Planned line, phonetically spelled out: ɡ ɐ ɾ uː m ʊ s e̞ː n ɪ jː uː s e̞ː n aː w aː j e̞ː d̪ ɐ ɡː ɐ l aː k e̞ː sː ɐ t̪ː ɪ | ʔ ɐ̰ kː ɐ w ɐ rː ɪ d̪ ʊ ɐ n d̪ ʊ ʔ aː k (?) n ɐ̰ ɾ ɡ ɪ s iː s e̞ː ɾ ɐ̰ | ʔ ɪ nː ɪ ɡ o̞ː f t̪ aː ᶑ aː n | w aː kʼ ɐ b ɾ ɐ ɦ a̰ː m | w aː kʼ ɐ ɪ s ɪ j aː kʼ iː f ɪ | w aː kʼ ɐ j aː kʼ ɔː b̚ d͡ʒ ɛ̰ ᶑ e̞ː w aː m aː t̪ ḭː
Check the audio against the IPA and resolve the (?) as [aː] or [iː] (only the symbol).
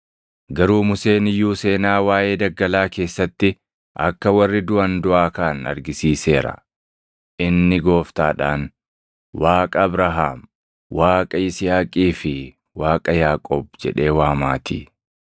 aː